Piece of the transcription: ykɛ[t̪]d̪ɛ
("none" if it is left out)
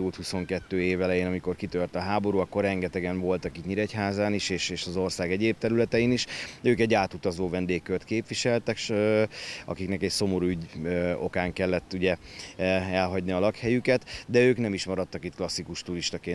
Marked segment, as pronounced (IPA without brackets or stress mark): t̪